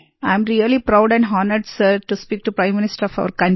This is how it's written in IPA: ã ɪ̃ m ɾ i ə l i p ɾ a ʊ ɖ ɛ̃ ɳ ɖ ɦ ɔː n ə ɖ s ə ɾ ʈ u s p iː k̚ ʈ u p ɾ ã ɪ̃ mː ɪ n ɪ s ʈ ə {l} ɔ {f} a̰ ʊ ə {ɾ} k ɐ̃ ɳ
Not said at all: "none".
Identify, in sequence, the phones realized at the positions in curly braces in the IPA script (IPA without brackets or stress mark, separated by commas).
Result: ɾ, f, ɾ